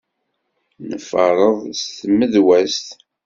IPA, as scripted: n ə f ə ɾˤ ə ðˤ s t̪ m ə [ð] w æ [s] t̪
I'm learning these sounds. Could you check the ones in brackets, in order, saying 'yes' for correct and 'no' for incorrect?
yes, yes

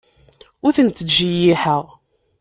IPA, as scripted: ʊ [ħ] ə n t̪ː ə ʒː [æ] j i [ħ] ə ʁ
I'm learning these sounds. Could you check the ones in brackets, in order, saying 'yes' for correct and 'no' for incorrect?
no, no, yes

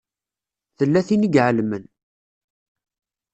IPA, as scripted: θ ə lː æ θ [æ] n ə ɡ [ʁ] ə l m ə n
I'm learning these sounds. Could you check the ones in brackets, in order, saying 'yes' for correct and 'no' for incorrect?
no, no

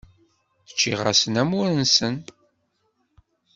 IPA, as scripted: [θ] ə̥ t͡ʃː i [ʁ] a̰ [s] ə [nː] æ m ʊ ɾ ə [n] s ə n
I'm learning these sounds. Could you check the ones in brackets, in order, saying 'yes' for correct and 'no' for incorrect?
yes, yes, yes, no, yes

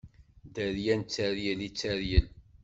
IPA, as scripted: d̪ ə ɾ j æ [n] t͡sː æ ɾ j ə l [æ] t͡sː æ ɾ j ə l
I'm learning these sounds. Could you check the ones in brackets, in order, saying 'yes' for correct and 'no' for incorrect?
yes, no

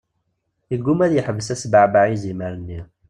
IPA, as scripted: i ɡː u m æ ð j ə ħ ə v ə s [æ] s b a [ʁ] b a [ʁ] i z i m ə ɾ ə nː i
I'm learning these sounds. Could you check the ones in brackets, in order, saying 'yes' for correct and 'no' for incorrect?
yes, no, no

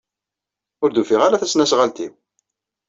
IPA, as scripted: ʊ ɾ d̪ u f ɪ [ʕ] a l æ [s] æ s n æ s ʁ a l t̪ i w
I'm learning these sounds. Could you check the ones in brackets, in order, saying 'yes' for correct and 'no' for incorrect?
no, no

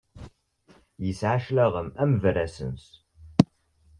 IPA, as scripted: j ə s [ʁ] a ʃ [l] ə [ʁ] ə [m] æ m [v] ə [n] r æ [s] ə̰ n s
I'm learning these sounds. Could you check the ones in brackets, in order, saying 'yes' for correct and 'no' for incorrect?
no, yes, yes, yes, yes, no, yes

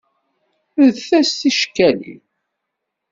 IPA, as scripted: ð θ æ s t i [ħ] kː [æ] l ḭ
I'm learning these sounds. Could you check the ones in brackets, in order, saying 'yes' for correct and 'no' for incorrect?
no, yes

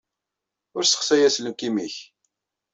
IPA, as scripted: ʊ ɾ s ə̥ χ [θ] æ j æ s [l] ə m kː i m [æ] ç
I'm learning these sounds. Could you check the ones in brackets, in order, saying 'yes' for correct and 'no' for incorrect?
no, yes, no

